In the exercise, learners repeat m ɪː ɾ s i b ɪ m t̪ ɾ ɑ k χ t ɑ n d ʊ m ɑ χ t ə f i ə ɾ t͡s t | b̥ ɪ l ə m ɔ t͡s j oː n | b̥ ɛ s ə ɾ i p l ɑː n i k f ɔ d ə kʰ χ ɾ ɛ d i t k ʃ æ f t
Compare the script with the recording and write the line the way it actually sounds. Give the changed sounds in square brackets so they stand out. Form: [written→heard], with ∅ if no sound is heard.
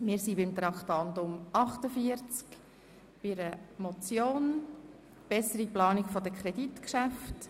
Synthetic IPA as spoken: m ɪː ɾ s i b ɪ m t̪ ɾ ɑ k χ t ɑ n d ʊ m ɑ χ t ə f i ə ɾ t͡s [t→k] | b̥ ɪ [l→ɾ] ə m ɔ t͡s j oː n | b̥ ɛ s ə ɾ i p l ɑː n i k f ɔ d ə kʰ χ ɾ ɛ d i t k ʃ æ f t

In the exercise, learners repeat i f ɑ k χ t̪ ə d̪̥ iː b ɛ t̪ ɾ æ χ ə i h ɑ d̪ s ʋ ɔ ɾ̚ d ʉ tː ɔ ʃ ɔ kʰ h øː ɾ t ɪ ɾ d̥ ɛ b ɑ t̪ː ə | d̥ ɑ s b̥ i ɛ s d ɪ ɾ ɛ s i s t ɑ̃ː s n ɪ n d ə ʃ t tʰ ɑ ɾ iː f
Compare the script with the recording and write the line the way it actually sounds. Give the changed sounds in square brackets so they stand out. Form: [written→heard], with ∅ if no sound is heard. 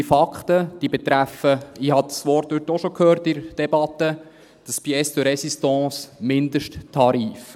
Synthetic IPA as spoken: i f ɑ k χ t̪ ə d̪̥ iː b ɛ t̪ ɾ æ [χ→f] ə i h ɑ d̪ s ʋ ɔ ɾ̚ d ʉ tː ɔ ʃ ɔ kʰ h øː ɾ t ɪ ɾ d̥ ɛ b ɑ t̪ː ə | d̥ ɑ s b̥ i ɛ s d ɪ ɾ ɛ s i s t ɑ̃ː s [n→m] ɪ n d ə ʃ t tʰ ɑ ɾ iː f

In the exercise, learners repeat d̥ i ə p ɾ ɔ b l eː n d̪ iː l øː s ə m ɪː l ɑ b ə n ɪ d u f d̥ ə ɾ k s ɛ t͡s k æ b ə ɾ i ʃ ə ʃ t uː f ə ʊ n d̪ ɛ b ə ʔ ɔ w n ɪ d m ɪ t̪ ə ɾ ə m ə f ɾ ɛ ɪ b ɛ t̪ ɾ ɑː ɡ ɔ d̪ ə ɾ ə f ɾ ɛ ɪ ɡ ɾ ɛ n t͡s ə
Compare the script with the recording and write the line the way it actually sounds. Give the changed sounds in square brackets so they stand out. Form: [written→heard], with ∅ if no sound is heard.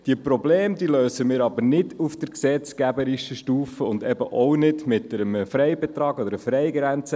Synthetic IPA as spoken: d̥ i ə p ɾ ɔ b l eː [n→m] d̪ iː l øː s ə m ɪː [l→ɾ] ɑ b ə n ɪ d u f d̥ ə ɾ k s ɛ t͡s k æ b ə ɾ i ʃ ə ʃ t uː f ə ʊ n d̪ ɛ b ə ʔ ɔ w n ɪ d m ɪ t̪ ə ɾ ə m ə f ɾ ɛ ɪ b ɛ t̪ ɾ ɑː ɡ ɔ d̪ ə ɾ ə f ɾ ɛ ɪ ɡ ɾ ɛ n t͡s ə

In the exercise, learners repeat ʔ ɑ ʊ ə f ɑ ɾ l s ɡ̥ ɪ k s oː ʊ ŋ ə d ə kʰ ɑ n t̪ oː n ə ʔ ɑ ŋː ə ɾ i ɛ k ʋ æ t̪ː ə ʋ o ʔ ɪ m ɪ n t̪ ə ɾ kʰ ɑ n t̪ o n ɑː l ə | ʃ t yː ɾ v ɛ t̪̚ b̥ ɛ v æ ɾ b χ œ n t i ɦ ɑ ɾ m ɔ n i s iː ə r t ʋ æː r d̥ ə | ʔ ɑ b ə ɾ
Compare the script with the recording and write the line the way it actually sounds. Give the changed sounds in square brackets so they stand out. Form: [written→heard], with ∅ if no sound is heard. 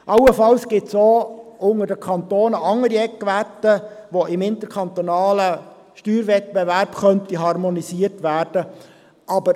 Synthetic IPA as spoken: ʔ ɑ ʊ ə f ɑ [ɾ→∅] l s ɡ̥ ɪ [k→t] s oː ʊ ŋ ə d ə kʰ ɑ n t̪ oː n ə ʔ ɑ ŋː ə ɾ i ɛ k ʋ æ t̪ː ə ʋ o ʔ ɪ m ɪ n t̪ ə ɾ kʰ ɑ n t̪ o n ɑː l ə | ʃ t yː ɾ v ɛ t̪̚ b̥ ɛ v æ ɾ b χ œ n t i ɦ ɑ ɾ m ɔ n i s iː ə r t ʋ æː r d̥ ə | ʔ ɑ b ə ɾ

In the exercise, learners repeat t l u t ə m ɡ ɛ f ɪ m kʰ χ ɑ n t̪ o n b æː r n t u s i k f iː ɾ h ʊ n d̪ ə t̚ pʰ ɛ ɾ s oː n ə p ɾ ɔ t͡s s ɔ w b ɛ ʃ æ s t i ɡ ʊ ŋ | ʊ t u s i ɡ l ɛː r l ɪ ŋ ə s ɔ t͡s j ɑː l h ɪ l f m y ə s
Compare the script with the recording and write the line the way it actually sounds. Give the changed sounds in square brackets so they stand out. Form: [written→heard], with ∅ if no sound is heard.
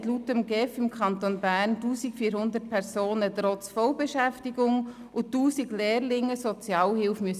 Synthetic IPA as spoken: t l u t ə m ɡ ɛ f ɪ m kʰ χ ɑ n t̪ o n b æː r n t [u→uː] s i k f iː ɾ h ʊ n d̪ ə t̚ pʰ ɛ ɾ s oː n ə [p→t] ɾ ɔ t͡s [s→f] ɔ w b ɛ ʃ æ [s→f] t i ɡ ʊ ŋ | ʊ t [u→uː] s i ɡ l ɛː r l ɪ ŋ ə s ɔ t͡s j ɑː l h ɪ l f m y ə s

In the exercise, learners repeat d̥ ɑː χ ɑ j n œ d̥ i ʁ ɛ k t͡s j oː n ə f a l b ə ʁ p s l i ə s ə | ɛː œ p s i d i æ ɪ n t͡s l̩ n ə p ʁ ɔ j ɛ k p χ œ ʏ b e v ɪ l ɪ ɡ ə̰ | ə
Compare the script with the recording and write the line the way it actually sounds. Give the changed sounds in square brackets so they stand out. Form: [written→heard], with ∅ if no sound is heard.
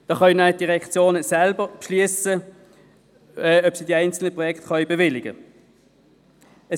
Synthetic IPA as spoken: d̥ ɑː χ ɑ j n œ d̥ i ʁ ɛ k t͡s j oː n ə [f→s] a l b ə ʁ p [s→ʃ] l i ə s ə | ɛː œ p s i d i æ ɪ n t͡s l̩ n ə p ʁ ɔ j ɛ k [p→t] χ œ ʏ b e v ɪ l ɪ ɡ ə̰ | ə

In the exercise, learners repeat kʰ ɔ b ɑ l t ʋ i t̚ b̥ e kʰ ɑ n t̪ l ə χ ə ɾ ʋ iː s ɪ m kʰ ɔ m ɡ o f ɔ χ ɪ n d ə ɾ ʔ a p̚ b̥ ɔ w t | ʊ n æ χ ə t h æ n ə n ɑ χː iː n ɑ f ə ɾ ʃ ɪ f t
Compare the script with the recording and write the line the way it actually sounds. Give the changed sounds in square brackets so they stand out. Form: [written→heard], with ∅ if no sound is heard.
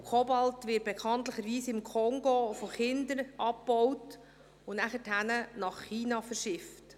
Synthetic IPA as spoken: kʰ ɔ b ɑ l t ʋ [i→ɪ] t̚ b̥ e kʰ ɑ n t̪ l ə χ ə ɾ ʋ iː s ɪ m kʰ ɔ [m→ŋ] ɡ o f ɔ χ ɪ n d ə ɾ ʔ [a→ɑ] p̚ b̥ ɔ w t | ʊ n æ χ ə t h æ n ə n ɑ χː iː n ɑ f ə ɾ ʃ ɪ f t

